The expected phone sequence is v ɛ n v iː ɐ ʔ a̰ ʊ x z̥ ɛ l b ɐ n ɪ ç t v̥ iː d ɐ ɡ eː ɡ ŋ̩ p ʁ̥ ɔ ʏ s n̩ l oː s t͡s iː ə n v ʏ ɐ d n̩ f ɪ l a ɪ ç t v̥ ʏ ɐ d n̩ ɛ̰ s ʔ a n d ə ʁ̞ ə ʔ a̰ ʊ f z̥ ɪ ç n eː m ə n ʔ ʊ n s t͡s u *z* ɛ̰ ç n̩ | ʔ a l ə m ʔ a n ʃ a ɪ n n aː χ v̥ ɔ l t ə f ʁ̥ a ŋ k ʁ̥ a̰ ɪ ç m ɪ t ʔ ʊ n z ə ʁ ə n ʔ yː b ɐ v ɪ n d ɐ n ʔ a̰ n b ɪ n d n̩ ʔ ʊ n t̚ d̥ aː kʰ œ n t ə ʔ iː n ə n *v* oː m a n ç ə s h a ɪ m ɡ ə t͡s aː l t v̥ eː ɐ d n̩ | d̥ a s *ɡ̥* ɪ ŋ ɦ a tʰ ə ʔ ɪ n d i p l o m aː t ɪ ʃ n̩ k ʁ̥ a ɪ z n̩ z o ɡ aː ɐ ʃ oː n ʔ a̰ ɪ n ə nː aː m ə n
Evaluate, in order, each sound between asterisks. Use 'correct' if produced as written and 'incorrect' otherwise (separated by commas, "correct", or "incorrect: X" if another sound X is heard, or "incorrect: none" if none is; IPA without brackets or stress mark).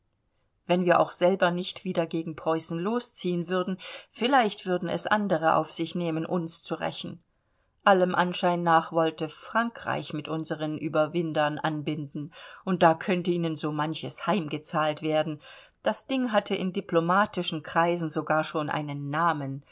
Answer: incorrect: ʁ, incorrect: z, incorrect: d̥